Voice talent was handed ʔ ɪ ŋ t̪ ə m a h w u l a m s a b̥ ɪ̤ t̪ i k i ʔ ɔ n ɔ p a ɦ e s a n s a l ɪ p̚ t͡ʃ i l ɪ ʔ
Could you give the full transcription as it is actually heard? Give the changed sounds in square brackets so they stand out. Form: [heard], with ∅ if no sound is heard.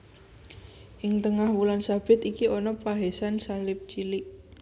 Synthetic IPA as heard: ʔ ɪ ŋ t̪ ə [ŋ] a h w u l a [n] s a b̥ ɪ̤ t̪ i k i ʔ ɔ n ɔ p a ɦ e s a n s a l ɪ p̚ t͡ʃ i l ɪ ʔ

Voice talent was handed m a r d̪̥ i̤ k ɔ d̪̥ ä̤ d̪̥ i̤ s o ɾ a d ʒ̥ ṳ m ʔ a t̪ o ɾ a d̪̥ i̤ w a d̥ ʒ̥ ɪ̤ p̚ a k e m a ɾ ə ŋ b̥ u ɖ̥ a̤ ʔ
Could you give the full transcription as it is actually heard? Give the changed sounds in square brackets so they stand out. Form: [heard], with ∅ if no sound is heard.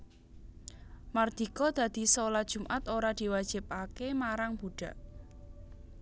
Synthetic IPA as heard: m a r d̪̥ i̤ k ɔ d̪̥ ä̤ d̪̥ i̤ s o [l] a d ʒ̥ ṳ m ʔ a t̪ o ɾ a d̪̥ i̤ w a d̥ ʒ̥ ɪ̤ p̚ a k e m a ɾ [a] ŋ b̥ u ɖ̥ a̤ ʔ

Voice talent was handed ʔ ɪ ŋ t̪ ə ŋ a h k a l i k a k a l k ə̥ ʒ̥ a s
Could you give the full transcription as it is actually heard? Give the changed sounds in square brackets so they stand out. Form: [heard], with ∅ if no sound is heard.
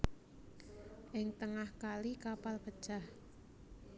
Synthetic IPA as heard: ʔ ɪ ŋ t̪ ə ŋ a h k a l i k a [p] a l [p] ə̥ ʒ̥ a [h]

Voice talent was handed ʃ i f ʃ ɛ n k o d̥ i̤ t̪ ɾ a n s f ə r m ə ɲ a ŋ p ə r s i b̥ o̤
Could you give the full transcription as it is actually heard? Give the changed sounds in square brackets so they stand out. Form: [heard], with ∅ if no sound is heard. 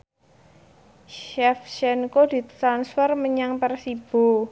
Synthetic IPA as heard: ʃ [ɛ] f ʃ ɛ n k o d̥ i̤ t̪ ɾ a n s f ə r m ə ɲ a ŋ p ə r s i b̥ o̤

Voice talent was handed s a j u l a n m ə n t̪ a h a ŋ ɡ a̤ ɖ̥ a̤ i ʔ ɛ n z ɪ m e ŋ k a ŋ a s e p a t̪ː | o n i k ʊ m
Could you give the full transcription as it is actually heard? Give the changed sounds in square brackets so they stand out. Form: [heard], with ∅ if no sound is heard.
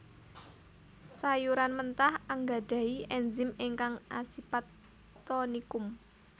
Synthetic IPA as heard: s a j u [ɾ] a n m ə n t̪ a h a ŋ ɡ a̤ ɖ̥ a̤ i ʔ ɛ n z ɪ m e ŋ k a ŋ a s [i] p a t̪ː | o n i k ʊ m

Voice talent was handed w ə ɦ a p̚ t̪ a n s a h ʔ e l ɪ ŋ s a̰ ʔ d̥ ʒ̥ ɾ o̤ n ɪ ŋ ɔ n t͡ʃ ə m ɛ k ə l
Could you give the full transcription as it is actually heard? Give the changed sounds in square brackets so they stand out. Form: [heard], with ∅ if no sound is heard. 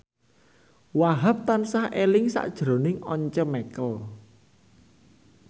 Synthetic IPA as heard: w [a] ɦ a p̚ t̪ a n s a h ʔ e l ɪ ŋ s a̰ ʔ d̥ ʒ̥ ɾ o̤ n ɪ ŋ ɔ [ɲ] t͡ʃ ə m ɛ k ə l

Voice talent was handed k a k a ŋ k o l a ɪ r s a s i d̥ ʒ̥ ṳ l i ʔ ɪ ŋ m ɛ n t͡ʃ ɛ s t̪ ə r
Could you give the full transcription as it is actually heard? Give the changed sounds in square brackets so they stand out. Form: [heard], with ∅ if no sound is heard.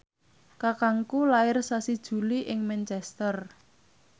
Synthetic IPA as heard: k a k a ŋ k [u] l a ɪ r s a s i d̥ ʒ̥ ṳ l i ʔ ɪ ŋ m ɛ n t͡ʃ ɛ s t̪ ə r

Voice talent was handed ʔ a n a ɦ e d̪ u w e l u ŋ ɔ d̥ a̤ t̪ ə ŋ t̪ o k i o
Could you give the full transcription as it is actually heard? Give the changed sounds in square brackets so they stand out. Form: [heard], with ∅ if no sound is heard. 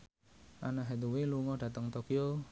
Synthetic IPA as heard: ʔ a n a ɦ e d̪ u w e l u ŋ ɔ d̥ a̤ t̪ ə ŋ t̪ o k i o

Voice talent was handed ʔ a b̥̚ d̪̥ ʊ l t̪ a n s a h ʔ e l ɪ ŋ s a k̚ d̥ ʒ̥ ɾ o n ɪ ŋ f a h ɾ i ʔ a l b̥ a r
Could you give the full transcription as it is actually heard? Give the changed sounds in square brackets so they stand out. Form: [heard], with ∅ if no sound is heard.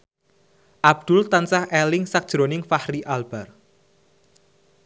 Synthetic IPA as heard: ʔ a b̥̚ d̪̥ ʊ l t̪ a n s a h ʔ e l ɪ ŋ s a k̚ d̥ ʒ̥ ɾ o n ɪ ŋ f a h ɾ i ʔ a l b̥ a r

